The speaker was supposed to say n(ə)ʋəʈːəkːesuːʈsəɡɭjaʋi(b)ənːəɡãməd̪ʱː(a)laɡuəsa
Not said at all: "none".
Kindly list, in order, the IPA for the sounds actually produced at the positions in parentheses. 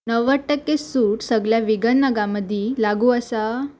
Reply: ə, ɡ, i

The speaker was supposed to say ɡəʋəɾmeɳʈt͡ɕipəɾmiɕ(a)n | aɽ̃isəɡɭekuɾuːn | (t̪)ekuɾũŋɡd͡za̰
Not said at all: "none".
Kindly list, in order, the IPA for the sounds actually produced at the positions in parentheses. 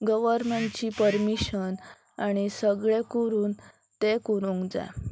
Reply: ə, t̪

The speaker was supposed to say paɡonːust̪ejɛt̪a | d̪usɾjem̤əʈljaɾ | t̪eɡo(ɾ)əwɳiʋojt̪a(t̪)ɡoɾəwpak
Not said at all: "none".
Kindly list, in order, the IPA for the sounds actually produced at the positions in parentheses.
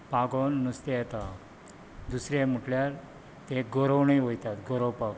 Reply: ɾ, t̪

